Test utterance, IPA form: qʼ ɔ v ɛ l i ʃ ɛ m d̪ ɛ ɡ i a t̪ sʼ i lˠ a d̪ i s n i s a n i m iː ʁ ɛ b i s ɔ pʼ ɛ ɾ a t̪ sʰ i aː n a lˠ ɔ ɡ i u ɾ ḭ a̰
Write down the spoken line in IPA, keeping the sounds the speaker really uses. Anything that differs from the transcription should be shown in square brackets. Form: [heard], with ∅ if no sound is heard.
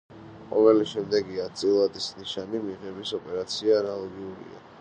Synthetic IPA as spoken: qʼ ɔ v ɛ l i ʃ ɛ m d̪ ɛ ɡ i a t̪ sʼ i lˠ a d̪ i s n i [ʃ] a n i m [i] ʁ ɛ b i s ɔ pʼ ɛ ɾ a t̪ sʰ i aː n a lˠ ɔ ɡ i u ɾ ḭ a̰